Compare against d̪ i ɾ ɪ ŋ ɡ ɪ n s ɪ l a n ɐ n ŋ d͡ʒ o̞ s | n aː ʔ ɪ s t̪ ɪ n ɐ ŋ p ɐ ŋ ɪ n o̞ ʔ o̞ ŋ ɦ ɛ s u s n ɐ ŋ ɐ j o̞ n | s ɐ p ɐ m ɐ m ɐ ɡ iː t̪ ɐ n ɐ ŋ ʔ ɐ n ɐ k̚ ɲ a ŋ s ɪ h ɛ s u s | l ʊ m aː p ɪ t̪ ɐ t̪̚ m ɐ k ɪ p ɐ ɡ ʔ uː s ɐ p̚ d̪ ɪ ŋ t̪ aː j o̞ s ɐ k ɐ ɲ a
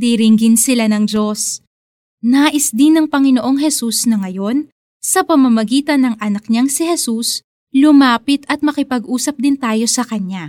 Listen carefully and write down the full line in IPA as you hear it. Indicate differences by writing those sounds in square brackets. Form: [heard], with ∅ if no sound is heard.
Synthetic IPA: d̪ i ɾ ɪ ŋ ɡ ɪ n s ɪ l a n ɐ [∅] ŋ d͡ʒ o̞ s | n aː ʔ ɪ s [d̪] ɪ n ɐ ŋ p ɐ ŋ ɪ n o̞ ʔ o̞ ŋ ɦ ɛ s u s n ɐ ŋ ɐ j o̞ n | s ɐ p ɐ m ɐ m ɐ ɡ iː t̪ ɐ n ɐ ŋ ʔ ɐ n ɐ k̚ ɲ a ŋ s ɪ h ɛ s u s | l ʊ m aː p ɪ t̪ ɐ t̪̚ m ɐ k ɪ p ɐ ɡ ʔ uː s ɐ p̚ d̪ ɪ [n] t̪ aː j o̞ s ɐ k ɐ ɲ a